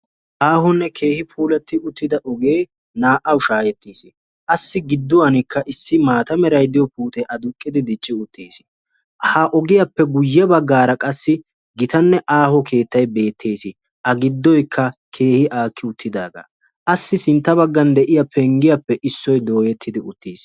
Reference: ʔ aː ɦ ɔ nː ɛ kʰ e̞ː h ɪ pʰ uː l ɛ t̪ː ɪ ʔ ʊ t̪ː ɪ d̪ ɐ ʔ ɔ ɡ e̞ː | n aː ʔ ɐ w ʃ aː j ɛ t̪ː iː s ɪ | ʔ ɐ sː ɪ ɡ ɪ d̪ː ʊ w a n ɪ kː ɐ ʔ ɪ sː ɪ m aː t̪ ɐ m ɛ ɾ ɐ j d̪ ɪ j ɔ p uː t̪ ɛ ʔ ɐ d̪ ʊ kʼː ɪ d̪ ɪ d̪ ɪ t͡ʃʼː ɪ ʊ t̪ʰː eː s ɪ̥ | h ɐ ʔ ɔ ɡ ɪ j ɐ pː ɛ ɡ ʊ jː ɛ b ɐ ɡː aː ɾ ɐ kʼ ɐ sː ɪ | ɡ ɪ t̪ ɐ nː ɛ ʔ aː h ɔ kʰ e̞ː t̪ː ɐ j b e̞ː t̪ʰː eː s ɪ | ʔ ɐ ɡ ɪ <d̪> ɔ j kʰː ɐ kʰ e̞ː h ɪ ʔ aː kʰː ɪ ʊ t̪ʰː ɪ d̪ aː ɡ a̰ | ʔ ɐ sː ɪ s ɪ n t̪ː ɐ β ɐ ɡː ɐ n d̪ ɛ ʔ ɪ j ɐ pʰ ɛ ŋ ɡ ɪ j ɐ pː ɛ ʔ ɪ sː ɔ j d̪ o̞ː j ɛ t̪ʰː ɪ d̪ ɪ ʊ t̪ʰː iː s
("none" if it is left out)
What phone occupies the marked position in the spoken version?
d̪ː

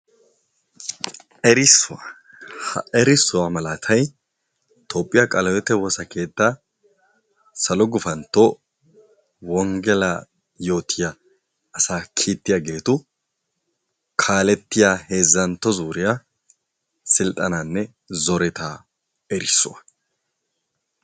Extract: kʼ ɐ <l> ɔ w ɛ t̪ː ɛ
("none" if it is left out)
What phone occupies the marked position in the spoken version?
l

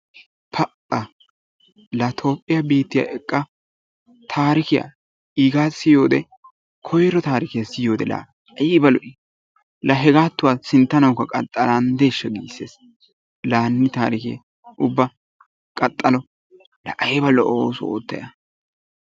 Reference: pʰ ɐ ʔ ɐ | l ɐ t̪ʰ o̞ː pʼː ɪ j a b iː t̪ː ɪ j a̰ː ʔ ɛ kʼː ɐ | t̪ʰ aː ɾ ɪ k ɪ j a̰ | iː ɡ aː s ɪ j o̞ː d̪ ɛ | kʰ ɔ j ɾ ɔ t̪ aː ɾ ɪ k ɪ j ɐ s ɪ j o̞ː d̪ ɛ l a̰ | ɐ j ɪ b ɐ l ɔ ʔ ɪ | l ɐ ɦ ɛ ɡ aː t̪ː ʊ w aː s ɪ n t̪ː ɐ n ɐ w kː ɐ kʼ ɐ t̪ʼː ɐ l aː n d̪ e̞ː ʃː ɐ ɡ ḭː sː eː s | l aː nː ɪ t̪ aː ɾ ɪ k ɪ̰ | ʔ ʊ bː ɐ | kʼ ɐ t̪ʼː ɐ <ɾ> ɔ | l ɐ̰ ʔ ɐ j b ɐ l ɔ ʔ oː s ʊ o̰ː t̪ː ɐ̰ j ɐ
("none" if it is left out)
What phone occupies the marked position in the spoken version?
l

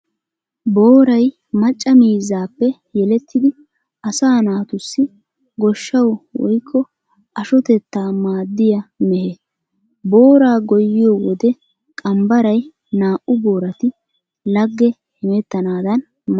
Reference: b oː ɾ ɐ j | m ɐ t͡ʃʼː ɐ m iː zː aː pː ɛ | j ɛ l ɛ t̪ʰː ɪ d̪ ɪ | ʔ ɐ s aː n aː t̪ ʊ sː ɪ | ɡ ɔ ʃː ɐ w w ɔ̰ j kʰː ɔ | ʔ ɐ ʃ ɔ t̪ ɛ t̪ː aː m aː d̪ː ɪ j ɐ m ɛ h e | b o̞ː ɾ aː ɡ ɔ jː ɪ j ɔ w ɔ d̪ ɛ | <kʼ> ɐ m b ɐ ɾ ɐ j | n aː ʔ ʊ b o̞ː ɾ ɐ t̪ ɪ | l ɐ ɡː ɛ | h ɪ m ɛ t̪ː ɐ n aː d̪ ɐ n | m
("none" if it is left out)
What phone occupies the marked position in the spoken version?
kʼ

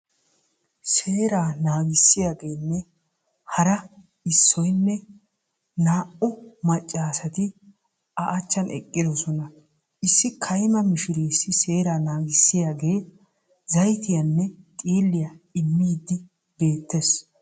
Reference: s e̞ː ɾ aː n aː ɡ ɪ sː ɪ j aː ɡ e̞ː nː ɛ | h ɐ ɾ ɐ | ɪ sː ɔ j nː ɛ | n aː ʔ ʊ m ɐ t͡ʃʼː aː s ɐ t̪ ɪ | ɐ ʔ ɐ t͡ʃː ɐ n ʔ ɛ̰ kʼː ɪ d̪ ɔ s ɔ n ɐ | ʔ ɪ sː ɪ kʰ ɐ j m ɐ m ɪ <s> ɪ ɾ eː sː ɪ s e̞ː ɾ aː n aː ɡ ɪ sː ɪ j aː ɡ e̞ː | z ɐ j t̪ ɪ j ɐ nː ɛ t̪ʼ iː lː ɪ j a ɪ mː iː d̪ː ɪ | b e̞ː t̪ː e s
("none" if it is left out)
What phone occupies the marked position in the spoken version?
ʃ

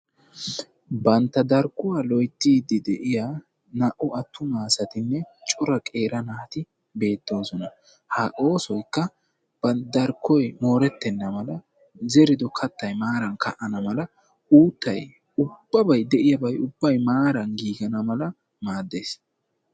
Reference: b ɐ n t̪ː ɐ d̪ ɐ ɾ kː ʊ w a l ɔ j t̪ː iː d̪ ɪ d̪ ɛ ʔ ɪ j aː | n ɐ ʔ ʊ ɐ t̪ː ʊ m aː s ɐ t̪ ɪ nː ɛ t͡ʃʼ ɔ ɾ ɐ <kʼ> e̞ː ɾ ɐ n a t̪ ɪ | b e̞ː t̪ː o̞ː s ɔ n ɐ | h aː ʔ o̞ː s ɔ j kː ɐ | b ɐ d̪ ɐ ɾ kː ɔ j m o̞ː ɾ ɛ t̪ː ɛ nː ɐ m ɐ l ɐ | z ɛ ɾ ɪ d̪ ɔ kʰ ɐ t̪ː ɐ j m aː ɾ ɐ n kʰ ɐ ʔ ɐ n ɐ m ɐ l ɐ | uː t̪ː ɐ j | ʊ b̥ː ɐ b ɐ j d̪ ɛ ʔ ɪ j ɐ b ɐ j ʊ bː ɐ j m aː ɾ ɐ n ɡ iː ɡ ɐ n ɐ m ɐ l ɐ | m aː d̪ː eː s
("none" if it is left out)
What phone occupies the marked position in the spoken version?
kʼ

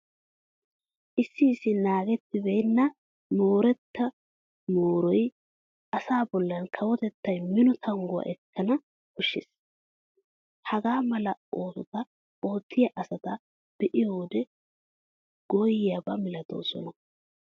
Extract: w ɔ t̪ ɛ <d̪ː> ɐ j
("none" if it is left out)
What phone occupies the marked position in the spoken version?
t̪ː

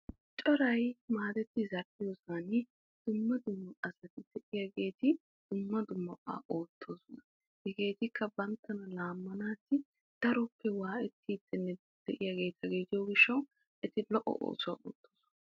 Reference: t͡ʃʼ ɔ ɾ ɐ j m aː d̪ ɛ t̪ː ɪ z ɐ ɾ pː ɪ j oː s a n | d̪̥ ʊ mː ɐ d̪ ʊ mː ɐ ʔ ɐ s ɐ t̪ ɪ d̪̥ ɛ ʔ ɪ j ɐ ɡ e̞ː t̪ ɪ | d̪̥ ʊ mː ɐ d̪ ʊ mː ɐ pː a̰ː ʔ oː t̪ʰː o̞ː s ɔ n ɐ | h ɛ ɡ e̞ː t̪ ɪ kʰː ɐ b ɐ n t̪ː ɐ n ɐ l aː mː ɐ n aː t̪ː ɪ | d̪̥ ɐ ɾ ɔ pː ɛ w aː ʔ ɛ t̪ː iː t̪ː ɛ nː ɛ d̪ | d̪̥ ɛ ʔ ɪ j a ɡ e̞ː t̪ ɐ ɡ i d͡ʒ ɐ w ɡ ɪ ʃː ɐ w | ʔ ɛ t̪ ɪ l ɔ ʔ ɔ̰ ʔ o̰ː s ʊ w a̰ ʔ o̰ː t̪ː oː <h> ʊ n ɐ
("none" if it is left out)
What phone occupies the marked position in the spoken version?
s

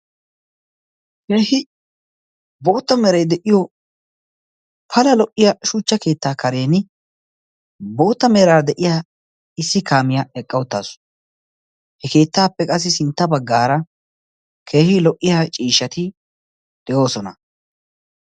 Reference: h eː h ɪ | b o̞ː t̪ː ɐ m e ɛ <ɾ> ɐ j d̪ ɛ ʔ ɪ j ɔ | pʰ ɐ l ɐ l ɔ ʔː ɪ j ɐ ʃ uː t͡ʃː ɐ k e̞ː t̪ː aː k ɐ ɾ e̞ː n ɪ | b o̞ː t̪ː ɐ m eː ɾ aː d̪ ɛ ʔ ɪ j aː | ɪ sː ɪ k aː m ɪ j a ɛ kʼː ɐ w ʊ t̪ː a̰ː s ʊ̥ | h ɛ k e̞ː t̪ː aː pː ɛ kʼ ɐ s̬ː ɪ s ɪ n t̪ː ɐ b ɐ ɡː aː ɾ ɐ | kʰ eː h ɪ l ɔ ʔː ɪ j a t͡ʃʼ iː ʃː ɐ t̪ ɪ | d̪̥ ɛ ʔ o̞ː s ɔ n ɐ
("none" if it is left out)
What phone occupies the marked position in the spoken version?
ɾ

